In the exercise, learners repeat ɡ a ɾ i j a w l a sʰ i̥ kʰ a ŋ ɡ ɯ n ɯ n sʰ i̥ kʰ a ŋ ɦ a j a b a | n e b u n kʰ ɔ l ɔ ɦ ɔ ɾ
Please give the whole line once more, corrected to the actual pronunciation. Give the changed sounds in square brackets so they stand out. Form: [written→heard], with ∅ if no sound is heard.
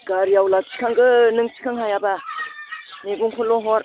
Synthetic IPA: ɡ a ɾ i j a w l a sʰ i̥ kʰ a ŋ ɡ ɯ n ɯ [n→ŋ] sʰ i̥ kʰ a ŋ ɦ a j a b a | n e [b→ɡ] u [n→ŋ] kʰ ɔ l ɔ ɦ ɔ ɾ

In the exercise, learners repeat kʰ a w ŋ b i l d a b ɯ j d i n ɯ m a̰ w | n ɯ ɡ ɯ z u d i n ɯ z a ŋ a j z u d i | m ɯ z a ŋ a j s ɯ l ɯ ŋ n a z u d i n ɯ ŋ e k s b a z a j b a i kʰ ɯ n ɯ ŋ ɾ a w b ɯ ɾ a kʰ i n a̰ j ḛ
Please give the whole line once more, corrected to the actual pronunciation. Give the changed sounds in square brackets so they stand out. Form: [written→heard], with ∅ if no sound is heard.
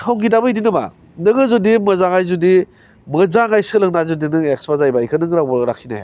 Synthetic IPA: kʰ a w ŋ [b→ɡ] i [l→∅] d a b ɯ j d i n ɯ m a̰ [w→∅] | n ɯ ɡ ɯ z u d i [n→m] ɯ z a ŋ a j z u d i | m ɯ z a ŋ a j s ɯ l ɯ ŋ n a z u d i n ɯ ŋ e k s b a z a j b a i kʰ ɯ n ɯ ŋ ɾ a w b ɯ ɾ a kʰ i n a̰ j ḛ

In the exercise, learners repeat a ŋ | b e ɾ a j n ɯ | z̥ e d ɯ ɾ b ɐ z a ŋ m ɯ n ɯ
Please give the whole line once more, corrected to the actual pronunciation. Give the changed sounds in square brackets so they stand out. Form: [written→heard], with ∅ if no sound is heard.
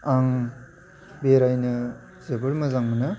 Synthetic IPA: a ŋ | b e ɾ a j n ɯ | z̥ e [d→b] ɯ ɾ [b→m] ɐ z a ŋ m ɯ n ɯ

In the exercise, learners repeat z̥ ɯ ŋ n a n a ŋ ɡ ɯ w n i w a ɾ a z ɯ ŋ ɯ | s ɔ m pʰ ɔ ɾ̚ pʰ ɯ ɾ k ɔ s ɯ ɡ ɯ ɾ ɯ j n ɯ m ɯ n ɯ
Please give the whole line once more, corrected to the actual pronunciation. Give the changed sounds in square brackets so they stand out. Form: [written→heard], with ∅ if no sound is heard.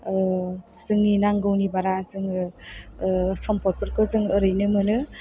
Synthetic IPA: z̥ ɯ ŋ n [a→i] n a ŋ ɡ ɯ w n i [w→b] a ɾ a z ɯ ŋ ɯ | s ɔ m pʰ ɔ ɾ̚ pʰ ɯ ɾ k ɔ [s→z] ɯ [ɡ→ŋ] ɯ ɾ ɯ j n ɯ m ɯ n ɯ

